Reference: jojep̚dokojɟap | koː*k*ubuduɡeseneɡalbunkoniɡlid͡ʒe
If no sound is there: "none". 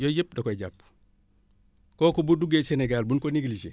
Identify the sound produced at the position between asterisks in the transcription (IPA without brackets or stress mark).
k